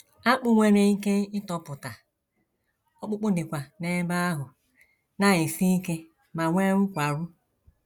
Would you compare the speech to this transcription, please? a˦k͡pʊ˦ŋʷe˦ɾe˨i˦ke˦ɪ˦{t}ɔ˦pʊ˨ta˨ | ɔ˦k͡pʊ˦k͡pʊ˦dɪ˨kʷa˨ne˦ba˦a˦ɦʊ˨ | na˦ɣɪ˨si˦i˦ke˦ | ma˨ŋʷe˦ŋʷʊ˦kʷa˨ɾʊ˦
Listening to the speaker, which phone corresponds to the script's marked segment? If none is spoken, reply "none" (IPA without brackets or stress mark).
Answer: t